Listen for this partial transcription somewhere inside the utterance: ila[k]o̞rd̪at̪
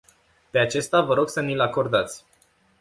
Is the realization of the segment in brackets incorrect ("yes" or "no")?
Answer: no